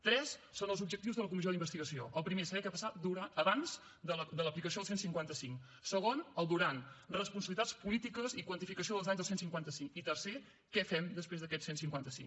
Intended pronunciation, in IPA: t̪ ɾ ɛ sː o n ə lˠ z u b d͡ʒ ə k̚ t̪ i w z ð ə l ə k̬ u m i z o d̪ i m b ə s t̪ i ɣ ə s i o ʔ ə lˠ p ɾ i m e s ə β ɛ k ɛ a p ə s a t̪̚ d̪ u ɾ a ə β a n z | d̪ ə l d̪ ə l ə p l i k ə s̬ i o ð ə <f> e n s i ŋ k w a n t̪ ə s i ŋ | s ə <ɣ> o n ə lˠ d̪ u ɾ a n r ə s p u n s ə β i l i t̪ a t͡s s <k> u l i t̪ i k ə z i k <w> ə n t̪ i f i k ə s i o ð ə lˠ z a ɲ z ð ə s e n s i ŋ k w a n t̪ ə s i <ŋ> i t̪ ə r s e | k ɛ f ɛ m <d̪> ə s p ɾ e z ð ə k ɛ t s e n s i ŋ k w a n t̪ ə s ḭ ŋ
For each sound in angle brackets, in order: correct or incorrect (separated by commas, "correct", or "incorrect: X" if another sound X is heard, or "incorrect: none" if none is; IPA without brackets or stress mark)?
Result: incorrect: s, correct, incorrect: p, correct, correct, correct